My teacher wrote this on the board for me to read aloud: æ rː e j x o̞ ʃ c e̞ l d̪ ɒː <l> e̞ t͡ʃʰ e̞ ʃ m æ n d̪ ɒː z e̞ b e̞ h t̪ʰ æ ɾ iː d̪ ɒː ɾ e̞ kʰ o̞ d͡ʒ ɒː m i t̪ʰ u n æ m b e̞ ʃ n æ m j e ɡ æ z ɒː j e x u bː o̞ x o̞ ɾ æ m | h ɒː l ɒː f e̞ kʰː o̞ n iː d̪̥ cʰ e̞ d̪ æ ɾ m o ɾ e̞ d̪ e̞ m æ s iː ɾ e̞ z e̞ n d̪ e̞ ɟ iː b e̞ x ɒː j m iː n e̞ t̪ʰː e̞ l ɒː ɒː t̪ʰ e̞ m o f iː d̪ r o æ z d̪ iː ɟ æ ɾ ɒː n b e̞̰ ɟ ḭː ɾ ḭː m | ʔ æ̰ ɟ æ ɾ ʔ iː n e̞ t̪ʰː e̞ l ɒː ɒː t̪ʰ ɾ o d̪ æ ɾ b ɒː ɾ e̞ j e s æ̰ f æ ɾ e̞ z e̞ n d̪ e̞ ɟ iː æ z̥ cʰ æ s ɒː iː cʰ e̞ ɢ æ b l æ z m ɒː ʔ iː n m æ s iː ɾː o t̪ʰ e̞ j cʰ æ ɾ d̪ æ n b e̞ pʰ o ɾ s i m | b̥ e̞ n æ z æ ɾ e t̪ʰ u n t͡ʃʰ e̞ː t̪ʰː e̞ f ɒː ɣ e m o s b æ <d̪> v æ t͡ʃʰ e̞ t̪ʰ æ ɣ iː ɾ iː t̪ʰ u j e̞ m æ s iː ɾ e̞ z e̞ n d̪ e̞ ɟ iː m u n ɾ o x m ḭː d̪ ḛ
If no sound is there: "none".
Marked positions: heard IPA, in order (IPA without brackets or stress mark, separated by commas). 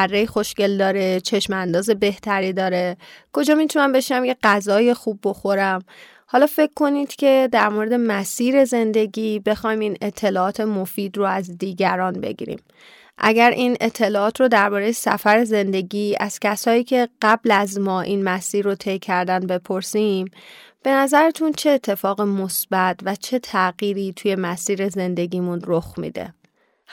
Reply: ɾ, t̪